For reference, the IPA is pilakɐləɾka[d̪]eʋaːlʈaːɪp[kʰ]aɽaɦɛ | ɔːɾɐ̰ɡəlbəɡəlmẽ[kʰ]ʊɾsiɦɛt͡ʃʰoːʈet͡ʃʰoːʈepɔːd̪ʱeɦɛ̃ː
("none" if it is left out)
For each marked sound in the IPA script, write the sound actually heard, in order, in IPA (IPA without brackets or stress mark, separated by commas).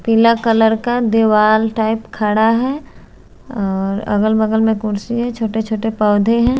d̪, kʰ, k